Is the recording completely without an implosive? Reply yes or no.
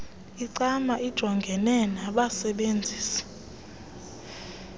no